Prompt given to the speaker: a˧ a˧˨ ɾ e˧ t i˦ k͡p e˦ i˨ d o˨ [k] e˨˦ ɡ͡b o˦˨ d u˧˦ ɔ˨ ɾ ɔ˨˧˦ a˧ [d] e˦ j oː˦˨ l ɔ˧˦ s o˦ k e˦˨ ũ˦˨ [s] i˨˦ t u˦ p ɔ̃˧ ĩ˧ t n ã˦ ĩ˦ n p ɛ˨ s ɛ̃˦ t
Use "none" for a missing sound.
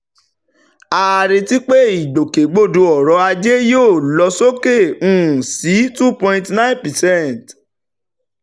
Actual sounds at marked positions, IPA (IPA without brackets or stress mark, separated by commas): k, d͡ʒ, s